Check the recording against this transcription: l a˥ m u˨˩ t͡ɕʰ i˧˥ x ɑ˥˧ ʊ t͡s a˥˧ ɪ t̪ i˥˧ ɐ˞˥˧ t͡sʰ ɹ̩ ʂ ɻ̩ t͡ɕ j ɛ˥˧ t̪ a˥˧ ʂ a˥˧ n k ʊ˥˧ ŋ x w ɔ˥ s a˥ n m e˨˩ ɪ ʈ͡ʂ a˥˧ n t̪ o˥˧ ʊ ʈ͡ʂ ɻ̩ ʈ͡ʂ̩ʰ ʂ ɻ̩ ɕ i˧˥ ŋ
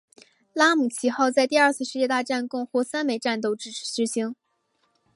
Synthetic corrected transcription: l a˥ m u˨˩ t͡ɕʰ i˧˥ x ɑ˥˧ ʊ t͡s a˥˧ ɪ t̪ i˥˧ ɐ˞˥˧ t͡sʰ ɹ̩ ʂ ɻ̩ t͡ɕ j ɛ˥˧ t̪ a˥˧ ʈ͡ʂ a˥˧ n k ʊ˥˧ ŋ x w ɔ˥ s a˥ n m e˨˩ ɪ ʈ͡ʂ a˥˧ n t̪ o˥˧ ʊ ʈ͡ʂ ɻ̩ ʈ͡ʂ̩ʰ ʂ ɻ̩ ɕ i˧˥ ŋ